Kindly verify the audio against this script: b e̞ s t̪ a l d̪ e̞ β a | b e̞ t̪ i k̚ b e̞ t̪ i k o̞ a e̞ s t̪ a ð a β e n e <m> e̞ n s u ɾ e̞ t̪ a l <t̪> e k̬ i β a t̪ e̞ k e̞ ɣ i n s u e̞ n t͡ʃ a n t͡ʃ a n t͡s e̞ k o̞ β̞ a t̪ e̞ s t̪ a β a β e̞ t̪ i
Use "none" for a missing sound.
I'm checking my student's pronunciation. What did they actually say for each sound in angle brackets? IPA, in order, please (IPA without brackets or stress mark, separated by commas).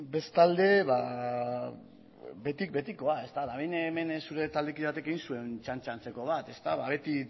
m, d̪